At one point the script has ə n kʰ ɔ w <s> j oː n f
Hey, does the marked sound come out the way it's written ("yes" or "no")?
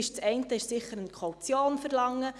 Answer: no